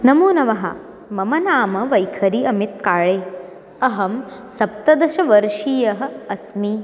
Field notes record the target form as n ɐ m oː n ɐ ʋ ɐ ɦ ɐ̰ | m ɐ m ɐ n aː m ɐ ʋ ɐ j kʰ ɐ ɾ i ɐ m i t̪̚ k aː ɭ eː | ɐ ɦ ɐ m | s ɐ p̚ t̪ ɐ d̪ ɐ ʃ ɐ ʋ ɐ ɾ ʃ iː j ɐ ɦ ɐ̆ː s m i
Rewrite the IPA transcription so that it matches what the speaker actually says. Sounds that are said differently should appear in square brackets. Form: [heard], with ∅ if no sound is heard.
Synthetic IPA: n ɐ m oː n ɐ ʋ ɐ ɦ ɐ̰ | m ɐ m ɐ n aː m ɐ ʋ ɐ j kʰ ɐ ɾ i ɐ m i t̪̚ k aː ɭ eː | ɐ ɦ ɐ m | s ɐ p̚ t̪ ɐ d̪ ɐ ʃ ɐ ʋ ɐ ɾ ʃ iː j ɐ ɦ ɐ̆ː s m i

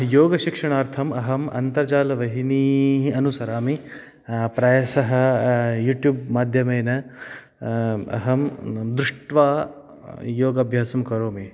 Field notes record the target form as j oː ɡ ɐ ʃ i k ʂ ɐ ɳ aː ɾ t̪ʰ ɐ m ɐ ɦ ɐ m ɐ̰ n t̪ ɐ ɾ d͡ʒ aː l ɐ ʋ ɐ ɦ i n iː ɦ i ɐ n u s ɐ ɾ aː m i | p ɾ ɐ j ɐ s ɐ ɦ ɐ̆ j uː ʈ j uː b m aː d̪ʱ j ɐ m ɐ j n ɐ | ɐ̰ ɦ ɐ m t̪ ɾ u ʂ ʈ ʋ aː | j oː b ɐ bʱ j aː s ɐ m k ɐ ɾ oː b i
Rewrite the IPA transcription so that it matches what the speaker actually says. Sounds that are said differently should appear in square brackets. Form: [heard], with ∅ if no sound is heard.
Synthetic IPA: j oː ɡ ɐ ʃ i k ʂ ɐ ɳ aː ɾ t̪ʰ ɐ m ɐ ɦ ɐ m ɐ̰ n t̪ ɐ ɾ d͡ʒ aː l ɐ ʋ ɐ ɦ i n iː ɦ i ɐ n u s ɐ ɾ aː m i | p ɾ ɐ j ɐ s ɐ ɦ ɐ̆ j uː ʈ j uː b m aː d̪ʱ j ɐ m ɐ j n ɐ | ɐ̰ ɦ ɐ m [d̪] ɾ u ʂ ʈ ʋ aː | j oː [ɡ] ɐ bʱ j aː s ɐ m k ɐ ɾ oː [m] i

